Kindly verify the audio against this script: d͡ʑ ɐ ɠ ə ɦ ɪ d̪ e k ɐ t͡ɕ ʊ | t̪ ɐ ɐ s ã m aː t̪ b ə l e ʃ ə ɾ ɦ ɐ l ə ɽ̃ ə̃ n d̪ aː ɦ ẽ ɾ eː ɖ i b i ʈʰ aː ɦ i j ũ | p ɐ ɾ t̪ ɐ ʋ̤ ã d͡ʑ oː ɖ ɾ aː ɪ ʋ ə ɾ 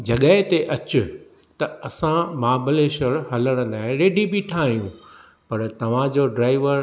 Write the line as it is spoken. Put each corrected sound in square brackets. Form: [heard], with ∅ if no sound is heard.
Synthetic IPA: d͡ʑ ɐ ɠ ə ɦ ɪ [t̪] e [ʔ] ɐ t͡ɕ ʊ | t̪ ɐ ɐ s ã m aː [∅] b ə l e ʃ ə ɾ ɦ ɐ l ə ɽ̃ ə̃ n d̪ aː ɦ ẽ ɾ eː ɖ i b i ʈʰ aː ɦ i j ũ | p ɐ ɾ t̪ ɐ ʋ̤ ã d͡ʑ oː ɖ ɾ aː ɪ ʋ ə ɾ

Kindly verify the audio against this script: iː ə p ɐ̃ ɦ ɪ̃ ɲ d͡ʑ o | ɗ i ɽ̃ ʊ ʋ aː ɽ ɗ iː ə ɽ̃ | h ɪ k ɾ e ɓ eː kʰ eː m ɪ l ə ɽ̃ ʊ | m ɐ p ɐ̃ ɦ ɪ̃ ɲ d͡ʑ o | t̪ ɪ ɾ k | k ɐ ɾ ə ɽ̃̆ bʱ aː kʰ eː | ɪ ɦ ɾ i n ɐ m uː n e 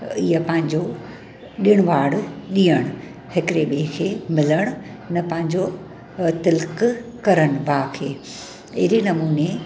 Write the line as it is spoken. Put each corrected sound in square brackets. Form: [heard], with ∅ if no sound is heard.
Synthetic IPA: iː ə p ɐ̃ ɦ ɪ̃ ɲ d͡ʑ o | ɗ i ɽ̃ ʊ ʋ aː ɽ ɗ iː ə ɽ̃ | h ɪ k ɾ e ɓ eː kʰ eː m ɪ l ə ɽ̃ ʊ | [n] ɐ p ɐ̃ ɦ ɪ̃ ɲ d͡ʑ o | t̪ ɪ [l] k | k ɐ ɾ ə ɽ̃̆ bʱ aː kʰ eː | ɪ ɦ ɾ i n ɐ m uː n e

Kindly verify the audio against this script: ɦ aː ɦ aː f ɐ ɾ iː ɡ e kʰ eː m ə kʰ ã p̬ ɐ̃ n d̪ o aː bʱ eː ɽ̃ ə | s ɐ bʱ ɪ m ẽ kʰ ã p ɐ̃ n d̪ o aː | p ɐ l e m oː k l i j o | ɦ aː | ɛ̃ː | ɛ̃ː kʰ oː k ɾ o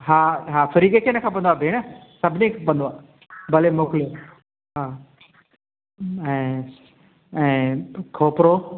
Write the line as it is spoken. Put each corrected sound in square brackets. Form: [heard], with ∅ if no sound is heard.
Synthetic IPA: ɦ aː ɦ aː f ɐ ɾ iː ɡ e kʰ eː [n] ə kʰ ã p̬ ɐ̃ n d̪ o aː bʱ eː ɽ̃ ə | s ɐ bʱ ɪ [n] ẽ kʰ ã p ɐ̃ n d̪ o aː | [b] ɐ l e m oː k l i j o | ɦ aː | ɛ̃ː | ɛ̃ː kʰ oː [p] ɾ o

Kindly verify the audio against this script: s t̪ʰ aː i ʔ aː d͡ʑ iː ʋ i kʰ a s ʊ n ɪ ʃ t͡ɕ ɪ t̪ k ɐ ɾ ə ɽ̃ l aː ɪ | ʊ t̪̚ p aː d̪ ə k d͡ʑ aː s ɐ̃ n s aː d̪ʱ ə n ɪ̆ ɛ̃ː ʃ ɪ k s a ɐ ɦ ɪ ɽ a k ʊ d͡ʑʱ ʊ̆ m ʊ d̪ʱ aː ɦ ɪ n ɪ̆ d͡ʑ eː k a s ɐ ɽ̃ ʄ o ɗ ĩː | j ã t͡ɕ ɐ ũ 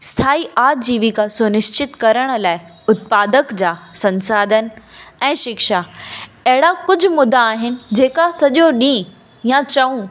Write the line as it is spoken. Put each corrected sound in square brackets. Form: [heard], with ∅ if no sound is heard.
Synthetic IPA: s t̪ʰ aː i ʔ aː d͡ʑ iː ʋ i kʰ a s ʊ n ɪ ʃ t͡ɕ ɪ t̪ k ɐ ɾ ə ɽ̃ l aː ɪ | ʊ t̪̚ p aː d̪ ə k d͡ʑ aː s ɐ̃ n s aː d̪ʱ ə n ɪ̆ ɛ̃ː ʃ ɪ k [ʃ] a ɐ ɦ ɪ ɽ a k ʊ d͡ʑʱ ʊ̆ m ʊ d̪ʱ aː ɦ ɪ n ɪ̆ d͡ʑ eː k a s ɐ [∅] ʄ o ɗ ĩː | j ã t͡ɕ ɐ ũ

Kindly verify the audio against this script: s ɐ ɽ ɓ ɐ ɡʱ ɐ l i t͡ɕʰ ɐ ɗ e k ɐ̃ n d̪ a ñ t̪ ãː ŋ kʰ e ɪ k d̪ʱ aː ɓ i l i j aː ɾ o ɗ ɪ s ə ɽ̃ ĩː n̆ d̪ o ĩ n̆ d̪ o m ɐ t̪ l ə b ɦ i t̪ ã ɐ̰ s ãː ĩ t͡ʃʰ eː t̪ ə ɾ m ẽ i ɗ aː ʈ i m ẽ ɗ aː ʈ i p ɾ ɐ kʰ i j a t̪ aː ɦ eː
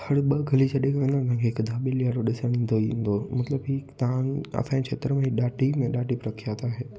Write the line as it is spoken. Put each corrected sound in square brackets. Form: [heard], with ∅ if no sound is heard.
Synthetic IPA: [h] ɐ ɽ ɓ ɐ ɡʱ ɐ l i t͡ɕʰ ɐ ɗ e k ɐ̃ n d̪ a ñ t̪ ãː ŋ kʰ e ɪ k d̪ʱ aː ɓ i l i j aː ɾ o ɗ ɪ s ə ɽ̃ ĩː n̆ d̪ o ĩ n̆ d̪ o m ɐ t̪ l ə b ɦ i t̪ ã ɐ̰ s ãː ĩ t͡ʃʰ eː t̪ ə ɾ m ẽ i ɗ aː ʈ i m ẽ ɗ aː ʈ i p ɾ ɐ kʰ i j a t̪ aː ɦ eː

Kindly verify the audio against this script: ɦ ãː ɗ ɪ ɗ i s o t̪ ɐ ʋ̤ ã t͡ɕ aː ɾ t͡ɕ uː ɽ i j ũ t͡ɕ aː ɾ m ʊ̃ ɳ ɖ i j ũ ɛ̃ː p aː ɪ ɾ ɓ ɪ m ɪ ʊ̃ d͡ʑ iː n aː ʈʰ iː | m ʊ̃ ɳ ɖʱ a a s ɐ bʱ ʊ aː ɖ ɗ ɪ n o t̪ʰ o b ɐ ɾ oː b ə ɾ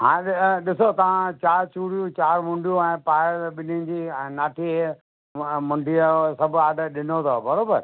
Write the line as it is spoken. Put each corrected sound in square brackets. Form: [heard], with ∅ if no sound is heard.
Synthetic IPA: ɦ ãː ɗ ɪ ɗ [ɪ] s o t̪ ɐ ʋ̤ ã t͡ɕ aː ɾ t͡ɕ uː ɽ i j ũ t͡ɕ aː ɾ m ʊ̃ ɳ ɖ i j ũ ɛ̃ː p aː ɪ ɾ ɓ ɪ [n] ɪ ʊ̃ d͡ʑ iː n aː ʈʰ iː | m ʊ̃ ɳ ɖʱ [i] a s ɐ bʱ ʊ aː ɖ ɗ ɪ n o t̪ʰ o b ɐ ɾ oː b ə ɾ

